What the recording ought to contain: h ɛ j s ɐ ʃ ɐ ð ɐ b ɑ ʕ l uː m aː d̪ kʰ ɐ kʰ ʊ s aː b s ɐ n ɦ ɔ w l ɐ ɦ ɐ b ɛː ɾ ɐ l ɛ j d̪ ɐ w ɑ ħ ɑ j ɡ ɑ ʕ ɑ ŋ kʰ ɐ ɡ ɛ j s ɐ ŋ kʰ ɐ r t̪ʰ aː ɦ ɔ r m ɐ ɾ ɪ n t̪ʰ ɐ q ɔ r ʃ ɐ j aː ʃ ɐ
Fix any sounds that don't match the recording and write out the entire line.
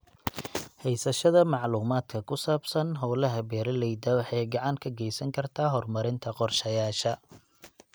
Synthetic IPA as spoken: h ɛ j s ɐ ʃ ɐ ð ɐ m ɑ ʕ l uː m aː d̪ kʰ ɐ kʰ ʊ s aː b s ɐ n ɦ ɔ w l ɐ ɦ ɐ b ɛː ɾ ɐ l ɛ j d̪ ɐ w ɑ ħ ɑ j ɡ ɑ ʕ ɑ ŋ kʰ ɐ ɡ ɛ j s ɐ ŋ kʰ ɐ r t̪ʰ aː ɦ ɔ r m ɐ ɾ ɪ n t̪ʰ ɐ q ɔ r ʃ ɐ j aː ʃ ɐ